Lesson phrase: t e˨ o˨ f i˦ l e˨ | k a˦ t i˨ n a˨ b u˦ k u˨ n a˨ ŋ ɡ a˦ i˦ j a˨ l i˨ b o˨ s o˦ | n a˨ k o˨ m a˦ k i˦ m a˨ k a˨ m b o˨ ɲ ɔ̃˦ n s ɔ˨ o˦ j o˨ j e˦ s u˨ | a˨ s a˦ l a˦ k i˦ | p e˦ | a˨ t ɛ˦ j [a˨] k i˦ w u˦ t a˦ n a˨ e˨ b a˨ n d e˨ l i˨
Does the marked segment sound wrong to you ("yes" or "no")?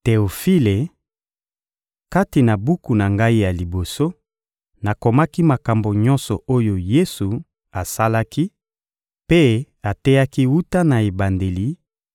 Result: yes